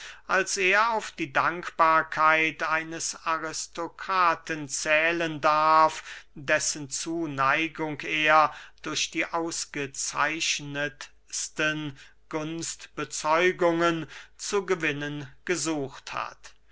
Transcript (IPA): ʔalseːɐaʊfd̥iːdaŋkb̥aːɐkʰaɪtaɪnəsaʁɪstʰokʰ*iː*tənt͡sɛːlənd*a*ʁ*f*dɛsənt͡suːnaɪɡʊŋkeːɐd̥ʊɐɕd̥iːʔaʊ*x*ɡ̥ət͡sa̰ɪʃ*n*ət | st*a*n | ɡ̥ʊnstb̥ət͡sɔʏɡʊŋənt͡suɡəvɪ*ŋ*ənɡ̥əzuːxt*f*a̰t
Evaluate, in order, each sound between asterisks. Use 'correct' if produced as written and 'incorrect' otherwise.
incorrect: aː, correct, correct, incorrect: s, correct, incorrect: ə, incorrect: n, incorrect: h

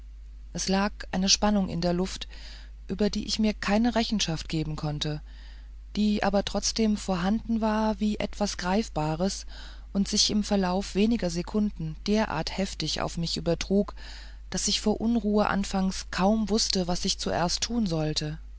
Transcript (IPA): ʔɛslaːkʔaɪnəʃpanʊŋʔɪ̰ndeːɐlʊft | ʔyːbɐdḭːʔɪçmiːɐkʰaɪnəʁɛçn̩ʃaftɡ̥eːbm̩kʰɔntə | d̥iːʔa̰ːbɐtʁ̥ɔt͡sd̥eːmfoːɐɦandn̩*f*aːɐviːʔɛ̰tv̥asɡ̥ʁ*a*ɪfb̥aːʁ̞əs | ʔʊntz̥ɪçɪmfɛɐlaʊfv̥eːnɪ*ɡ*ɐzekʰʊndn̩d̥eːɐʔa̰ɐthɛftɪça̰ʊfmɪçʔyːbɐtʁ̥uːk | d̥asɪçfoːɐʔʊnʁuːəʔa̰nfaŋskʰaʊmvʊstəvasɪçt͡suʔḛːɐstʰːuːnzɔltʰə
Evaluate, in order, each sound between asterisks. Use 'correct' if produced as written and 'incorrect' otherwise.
incorrect: v, correct, correct

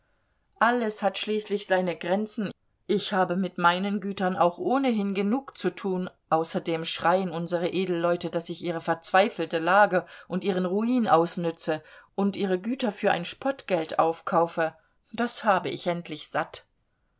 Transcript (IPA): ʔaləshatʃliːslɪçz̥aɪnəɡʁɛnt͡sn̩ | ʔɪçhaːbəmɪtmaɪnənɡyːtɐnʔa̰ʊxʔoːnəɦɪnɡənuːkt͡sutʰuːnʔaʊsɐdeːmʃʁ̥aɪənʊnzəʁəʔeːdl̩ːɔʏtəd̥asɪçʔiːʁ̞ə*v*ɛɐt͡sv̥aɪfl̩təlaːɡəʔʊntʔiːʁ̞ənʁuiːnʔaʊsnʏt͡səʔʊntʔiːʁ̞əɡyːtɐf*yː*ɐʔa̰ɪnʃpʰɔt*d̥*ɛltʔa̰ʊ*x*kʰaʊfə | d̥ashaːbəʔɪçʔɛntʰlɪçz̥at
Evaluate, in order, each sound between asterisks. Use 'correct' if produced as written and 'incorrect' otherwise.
incorrect: f, correct, incorrect: ɡ̥, incorrect: f

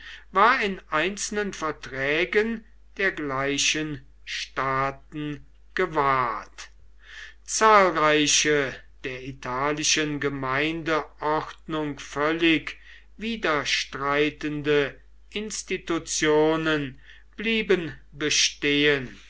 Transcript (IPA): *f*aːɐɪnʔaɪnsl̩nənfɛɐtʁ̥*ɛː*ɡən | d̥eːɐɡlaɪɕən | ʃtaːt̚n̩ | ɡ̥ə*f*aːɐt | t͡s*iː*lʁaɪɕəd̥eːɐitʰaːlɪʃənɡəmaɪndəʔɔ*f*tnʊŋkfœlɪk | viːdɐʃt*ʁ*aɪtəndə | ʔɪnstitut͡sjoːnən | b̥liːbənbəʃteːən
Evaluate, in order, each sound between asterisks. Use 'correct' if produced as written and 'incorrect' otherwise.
incorrect: v, correct, incorrect: v, incorrect: aː, incorrect: χ, correct

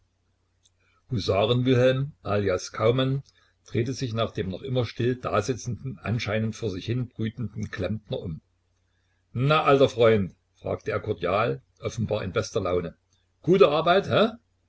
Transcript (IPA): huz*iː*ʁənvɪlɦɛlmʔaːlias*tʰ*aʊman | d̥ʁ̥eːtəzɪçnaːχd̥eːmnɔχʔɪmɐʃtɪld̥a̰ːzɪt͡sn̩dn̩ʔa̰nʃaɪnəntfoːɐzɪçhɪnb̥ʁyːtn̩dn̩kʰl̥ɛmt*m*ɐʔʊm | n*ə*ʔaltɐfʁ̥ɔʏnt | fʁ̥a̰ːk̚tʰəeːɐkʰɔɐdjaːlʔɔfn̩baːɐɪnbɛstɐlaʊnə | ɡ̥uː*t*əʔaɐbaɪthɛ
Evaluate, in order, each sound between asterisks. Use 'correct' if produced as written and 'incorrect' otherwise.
incorrect: aː, incorrect: kʰ, incorrect: n, incorrect: a, correct

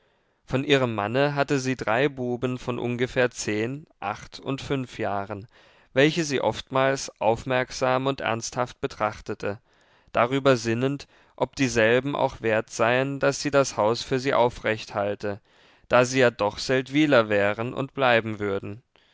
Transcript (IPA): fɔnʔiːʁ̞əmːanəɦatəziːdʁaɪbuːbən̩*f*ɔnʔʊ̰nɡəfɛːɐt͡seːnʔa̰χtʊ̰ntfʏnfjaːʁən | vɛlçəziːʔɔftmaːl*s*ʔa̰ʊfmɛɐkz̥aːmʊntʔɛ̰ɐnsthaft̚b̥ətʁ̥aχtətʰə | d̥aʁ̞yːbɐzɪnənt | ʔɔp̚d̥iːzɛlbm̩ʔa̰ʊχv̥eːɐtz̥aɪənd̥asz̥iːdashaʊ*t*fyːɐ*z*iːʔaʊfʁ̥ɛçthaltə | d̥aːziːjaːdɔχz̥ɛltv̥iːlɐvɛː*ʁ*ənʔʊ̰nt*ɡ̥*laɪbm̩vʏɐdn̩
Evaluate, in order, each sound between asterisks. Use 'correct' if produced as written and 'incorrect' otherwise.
correct, correct, incorrect: s, correct, correct, incorrect: b̥

